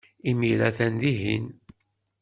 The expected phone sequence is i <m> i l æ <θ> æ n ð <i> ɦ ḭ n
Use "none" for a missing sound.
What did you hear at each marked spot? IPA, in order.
m, θ, i

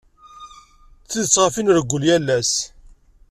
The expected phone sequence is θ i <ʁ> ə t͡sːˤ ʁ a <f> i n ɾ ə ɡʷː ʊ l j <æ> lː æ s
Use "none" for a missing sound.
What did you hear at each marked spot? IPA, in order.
ð, f, æ

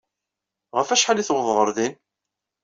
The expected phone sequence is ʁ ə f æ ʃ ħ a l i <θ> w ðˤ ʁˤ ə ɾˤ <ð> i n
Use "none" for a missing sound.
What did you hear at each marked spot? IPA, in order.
θ, ð

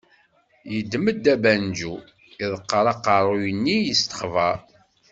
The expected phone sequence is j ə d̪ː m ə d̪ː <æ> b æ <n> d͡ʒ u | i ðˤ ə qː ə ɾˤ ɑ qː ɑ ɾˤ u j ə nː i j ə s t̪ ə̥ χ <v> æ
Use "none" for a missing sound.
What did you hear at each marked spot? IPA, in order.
æ, n, v

